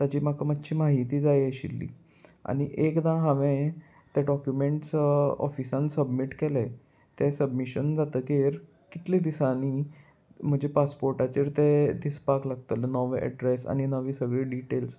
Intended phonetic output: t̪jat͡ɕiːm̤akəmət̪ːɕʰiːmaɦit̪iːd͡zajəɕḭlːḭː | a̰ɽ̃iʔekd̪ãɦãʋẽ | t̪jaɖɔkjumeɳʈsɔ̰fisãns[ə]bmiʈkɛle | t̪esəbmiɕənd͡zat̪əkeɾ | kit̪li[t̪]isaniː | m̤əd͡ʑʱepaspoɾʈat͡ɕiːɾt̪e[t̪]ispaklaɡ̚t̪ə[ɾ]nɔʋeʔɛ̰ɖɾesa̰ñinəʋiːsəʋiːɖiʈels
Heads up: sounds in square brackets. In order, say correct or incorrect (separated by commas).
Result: correct, incorrect, incorrect, incorrect